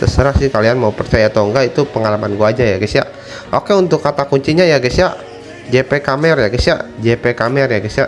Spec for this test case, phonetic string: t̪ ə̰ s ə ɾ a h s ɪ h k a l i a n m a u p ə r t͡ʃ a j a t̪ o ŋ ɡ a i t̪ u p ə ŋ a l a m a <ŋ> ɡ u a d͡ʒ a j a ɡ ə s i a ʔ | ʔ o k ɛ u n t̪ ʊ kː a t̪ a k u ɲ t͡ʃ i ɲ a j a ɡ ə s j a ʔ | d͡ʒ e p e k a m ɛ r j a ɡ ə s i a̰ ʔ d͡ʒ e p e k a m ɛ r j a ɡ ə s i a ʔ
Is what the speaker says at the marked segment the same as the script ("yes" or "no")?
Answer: no